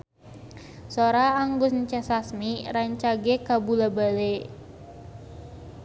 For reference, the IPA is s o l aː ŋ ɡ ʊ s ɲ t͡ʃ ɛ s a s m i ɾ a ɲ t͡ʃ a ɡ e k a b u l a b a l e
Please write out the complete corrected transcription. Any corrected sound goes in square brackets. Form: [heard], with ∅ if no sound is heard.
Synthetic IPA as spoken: s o [ɾ] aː ŋ ɡ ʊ s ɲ t͡ʃ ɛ s a s m i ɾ a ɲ t͡ʃ a ɡ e k a b u l a b a l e